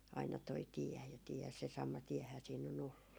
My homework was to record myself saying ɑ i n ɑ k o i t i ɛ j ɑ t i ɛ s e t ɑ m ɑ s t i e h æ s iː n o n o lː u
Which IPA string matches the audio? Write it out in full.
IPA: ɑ i n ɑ t o i t i ɛ j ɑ t i ɛ s e s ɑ m ɑ t i ɛ h æː s iː n o n o lː u